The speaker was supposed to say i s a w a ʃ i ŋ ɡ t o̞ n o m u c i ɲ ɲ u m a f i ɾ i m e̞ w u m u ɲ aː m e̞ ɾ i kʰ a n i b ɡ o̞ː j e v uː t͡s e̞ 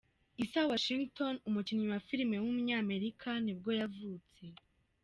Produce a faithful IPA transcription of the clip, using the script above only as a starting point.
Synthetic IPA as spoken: i s a w a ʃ i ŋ ɡ t o̞ n u m u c i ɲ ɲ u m a f i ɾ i m e̞ w u m u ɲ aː m e̞ ɾ i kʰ a n i b ɡ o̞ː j a v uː t͡s e̞